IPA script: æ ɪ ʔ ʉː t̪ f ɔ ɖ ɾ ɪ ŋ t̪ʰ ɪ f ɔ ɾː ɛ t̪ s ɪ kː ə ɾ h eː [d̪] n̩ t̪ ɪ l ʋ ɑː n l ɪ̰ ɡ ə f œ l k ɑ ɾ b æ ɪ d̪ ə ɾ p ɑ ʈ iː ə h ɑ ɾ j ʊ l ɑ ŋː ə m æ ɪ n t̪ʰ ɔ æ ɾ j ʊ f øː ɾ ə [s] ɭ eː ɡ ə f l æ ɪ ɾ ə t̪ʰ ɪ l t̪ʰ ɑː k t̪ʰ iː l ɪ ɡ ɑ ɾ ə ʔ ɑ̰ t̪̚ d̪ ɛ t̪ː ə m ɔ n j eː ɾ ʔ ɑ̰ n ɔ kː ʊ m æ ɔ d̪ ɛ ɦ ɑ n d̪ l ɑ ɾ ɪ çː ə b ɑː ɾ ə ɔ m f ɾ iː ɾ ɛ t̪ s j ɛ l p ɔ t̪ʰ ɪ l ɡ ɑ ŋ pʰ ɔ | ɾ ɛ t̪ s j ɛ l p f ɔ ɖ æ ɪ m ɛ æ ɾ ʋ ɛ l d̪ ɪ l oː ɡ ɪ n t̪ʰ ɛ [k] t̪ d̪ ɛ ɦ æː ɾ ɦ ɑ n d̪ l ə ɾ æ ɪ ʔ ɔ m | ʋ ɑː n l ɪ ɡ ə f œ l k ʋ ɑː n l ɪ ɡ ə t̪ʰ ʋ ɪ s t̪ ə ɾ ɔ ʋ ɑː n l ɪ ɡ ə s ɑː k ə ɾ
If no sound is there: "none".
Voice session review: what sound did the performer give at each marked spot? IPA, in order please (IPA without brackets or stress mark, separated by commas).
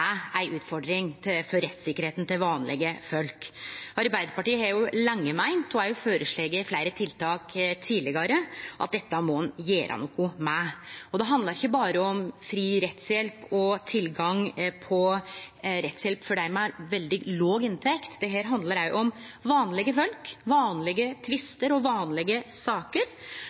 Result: t̪, ʂ, k